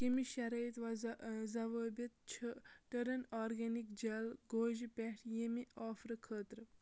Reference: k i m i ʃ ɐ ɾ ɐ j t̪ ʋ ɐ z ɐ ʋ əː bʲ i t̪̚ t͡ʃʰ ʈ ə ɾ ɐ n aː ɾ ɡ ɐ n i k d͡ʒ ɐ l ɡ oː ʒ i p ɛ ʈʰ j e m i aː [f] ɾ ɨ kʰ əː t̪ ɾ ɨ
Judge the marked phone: correct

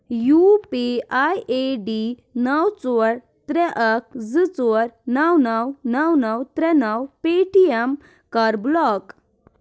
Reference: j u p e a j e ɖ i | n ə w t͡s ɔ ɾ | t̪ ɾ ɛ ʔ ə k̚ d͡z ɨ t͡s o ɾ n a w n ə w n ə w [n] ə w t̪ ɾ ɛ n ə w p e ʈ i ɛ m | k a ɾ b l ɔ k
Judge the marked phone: correct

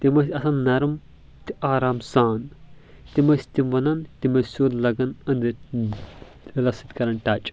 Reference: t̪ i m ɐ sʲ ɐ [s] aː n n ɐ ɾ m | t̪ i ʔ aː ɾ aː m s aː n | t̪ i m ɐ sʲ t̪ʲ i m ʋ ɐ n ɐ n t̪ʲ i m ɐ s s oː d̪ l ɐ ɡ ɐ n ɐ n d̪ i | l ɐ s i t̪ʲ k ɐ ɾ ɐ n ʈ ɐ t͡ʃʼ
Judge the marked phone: correct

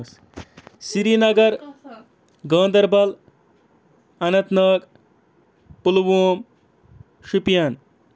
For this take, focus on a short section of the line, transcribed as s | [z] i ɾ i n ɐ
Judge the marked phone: incorrect: s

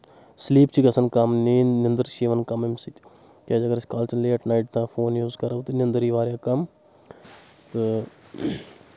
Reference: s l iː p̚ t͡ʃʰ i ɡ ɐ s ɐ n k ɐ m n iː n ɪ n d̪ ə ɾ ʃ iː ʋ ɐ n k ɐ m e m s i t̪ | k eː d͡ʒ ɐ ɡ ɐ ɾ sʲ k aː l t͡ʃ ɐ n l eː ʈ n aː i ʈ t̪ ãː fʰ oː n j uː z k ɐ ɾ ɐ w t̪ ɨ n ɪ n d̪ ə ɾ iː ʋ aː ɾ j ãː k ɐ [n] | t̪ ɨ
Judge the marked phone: incorrect: m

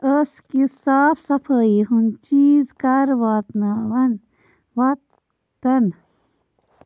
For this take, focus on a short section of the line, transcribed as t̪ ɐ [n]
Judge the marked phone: correct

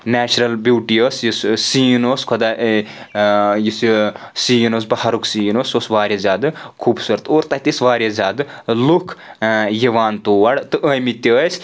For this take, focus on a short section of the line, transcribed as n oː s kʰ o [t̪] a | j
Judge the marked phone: incorrect: d̪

